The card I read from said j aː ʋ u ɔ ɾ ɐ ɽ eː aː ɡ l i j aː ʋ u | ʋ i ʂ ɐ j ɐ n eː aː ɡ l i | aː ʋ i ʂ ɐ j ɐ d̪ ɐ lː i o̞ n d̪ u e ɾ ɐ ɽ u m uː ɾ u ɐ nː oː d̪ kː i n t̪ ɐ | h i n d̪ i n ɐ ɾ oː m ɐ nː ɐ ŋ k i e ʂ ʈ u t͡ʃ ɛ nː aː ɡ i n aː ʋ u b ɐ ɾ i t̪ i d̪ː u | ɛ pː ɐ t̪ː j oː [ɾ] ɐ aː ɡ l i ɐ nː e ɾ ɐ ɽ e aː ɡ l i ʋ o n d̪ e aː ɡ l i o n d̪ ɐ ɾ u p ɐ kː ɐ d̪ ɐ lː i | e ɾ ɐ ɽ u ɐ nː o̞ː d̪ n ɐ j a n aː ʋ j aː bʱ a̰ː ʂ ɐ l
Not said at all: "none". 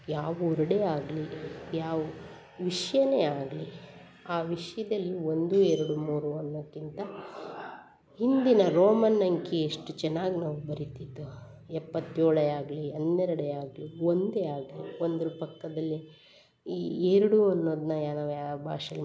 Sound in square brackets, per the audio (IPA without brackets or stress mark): ɭ